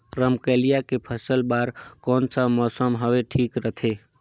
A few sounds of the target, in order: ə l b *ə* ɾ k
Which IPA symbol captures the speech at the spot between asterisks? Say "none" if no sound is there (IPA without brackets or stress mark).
a